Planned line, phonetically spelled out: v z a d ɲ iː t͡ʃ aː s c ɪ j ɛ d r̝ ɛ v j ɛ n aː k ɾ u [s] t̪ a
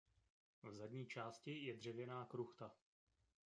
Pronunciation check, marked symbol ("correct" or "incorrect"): incorrect